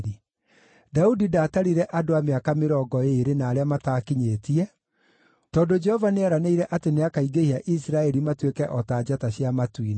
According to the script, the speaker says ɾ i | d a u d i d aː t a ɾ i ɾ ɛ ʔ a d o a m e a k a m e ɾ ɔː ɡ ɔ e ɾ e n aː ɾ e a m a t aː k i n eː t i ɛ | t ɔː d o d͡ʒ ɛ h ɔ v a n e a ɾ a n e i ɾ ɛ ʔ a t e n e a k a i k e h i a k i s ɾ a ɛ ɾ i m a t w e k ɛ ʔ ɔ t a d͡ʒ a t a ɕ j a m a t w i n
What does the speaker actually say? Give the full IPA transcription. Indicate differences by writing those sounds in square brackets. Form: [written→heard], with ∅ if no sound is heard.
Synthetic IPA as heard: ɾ i | d a u d i d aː t a ɾ i ɾ ɛ ʔ a d o a m e a k a m e ɾ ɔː ɡ ɔ e ɾ e n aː ɾ e a m a t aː k i [n→ɲ] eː t i ɛ | t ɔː d o d͡ʒ ɛ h ɔ v a n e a ɾ a n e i ɾ ɛ ʔ a t e n e a k a i [k→ɡ] e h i a [k→ʔ] i s ɾ a ɛ ɾ i m a t w e k ɛ ʔ ɔ t a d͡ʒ a t a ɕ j a m a t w i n